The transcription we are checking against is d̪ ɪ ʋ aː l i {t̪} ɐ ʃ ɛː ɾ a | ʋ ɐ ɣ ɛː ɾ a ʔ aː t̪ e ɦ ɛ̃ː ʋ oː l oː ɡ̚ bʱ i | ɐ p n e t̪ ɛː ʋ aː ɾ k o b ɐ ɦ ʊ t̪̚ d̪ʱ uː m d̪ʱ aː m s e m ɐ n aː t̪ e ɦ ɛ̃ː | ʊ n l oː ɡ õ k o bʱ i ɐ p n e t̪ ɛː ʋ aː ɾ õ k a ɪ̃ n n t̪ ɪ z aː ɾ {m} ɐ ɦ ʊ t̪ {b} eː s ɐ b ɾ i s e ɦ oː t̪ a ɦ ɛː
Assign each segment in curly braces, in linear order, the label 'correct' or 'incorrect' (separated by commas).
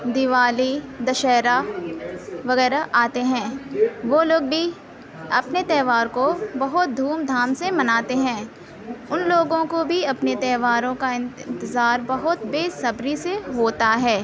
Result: incorrect, incorrect, correct